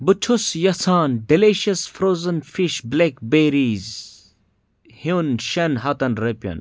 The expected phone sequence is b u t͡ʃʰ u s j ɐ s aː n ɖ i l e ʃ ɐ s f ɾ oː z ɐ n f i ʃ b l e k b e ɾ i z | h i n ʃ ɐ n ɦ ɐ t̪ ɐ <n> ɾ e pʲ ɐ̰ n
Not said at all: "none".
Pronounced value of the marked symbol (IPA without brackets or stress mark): n